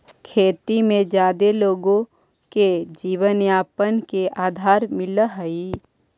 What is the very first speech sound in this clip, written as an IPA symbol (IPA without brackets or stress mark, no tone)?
kʰ